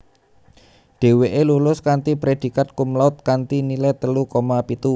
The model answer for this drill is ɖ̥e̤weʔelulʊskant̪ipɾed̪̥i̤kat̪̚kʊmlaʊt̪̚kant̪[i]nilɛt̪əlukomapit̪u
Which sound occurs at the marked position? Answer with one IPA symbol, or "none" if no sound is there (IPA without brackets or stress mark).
i